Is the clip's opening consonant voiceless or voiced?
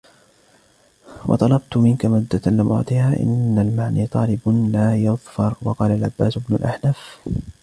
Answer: voiced